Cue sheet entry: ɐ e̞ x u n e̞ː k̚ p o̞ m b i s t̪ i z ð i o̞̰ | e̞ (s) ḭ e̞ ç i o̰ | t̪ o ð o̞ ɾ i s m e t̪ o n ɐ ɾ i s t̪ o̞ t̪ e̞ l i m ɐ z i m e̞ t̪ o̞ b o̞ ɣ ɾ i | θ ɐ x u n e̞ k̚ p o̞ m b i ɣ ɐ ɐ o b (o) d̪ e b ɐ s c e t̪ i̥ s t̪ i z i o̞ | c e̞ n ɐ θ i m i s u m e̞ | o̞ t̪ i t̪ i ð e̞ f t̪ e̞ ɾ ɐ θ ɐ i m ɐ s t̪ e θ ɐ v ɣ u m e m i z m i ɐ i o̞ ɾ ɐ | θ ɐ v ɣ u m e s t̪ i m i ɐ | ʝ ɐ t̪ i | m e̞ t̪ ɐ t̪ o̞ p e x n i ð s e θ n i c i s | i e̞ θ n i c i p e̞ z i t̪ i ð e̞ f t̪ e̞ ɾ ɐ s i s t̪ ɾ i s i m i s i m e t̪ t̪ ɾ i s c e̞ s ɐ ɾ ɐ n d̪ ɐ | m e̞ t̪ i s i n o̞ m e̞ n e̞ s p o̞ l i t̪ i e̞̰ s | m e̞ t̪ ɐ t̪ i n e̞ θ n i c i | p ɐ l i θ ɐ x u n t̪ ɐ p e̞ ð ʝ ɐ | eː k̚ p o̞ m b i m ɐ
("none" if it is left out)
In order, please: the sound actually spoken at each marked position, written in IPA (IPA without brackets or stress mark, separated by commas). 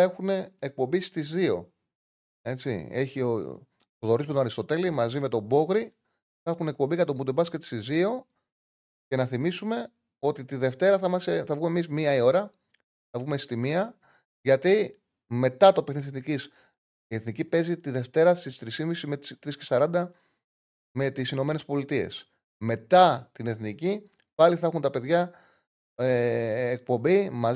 t͡s, u